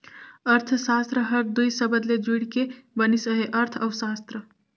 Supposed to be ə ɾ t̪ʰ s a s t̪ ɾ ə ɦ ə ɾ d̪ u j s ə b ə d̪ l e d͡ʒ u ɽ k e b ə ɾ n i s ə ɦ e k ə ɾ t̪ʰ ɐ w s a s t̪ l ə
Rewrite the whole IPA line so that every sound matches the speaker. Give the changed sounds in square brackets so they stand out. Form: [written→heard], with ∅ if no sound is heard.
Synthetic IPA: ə ɾ t̪ʰ s a s t̪ ɾ ə ɦ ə ɾ d̪ u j s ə b ə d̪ l e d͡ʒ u ɽ k e b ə [ɾ→∅] n i s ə ɦ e [k→ʔ] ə ɾ t̪ʰ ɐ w s a s t̪ [l→ɾ] ə